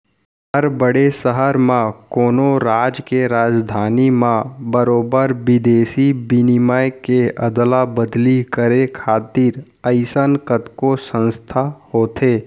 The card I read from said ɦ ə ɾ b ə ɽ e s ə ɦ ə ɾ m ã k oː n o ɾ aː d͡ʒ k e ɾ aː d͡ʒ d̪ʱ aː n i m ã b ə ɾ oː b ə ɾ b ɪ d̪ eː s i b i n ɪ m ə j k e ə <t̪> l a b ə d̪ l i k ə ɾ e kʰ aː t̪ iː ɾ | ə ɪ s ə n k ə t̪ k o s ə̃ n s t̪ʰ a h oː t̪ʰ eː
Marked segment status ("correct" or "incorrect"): incorrect